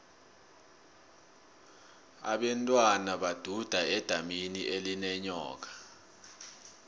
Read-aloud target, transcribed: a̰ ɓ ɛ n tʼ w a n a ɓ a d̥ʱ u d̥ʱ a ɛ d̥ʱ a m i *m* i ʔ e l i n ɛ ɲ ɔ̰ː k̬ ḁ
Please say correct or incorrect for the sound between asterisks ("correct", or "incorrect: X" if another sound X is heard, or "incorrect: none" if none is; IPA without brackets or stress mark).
incorrect: n